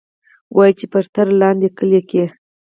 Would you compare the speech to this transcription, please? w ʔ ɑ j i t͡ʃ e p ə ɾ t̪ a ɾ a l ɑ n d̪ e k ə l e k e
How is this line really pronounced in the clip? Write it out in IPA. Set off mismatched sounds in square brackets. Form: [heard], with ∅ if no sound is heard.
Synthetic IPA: w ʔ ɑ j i t͡ʃ e p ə ɾ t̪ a ɾ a l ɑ n d̪ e k ə l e k e